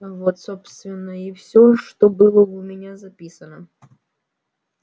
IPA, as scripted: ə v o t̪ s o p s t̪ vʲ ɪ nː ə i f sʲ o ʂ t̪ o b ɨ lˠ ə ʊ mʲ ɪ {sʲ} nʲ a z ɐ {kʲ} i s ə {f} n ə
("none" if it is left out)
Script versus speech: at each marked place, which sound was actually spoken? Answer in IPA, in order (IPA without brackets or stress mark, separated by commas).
none, pʲ, none